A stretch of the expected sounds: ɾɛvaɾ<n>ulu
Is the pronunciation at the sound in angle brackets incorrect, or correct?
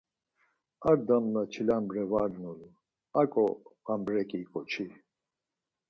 correct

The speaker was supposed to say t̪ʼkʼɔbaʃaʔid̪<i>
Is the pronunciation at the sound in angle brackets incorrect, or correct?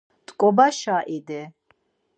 incorrect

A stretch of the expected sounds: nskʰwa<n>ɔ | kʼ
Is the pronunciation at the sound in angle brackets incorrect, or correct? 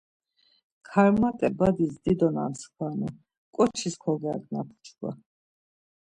correct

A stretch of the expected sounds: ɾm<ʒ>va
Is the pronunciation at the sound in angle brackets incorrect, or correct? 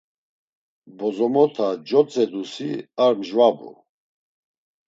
correct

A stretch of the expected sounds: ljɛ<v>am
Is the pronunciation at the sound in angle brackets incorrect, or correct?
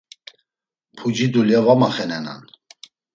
correct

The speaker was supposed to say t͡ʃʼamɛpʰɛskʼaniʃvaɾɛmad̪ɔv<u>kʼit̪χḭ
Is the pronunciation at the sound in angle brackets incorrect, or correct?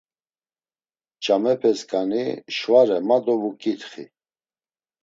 correct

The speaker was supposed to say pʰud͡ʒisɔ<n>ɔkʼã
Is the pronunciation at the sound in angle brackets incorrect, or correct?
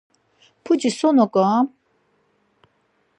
correct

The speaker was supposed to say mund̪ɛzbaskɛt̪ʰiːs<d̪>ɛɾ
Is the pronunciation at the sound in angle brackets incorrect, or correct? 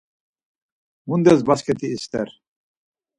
incorrect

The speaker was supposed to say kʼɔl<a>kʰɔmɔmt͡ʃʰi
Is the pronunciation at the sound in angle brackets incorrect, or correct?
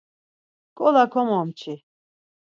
correct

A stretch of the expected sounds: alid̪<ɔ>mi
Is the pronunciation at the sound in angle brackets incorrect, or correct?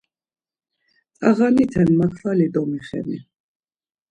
correct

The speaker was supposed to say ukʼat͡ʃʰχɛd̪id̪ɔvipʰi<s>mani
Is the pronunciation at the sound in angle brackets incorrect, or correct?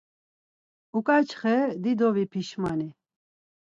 incorrect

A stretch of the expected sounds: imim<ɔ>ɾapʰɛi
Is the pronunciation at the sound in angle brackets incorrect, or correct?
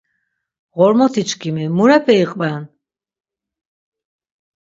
incorrect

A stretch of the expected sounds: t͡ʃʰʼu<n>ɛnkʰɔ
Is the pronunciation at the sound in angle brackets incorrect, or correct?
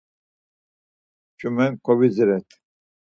incorrect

